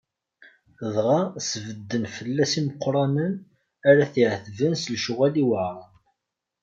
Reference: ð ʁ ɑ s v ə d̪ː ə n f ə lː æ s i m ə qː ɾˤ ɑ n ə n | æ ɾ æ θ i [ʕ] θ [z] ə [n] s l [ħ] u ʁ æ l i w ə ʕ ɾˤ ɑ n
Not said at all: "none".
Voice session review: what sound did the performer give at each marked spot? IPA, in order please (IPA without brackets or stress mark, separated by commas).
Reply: ʕ, v, n, ʃ